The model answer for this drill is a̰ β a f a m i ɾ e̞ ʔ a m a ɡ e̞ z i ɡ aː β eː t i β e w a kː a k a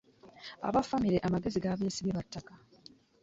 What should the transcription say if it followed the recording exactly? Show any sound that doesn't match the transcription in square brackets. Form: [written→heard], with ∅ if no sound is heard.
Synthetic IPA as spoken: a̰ β a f a m i ɾ e̞ ʔ a m a ɡ e̞ z i ɡ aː β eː [t→s] i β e [w→β] a [kː→tː] a k a